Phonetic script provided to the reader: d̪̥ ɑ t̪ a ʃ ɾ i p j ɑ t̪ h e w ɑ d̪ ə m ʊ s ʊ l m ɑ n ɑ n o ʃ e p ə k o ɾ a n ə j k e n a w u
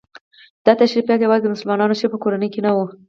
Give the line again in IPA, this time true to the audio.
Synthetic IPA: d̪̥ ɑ t̪ a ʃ ɾ i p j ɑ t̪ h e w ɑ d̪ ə m ʊ s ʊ l m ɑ n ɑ n o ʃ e p ə k o ɾ a n ə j k e n a w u